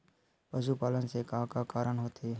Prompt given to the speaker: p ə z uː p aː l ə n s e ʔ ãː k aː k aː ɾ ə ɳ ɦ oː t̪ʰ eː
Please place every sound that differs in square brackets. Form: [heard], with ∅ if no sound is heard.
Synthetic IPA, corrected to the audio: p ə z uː p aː l ə n s e [k] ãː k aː k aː ɾ ə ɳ ɦ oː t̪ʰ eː